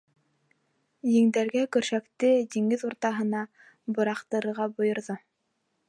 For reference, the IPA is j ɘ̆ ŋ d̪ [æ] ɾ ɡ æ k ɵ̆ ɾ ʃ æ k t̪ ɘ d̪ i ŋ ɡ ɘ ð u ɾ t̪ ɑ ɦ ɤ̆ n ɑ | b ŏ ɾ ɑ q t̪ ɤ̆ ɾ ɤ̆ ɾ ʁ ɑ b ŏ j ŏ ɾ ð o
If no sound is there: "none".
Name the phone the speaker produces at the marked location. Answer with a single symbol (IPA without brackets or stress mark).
æ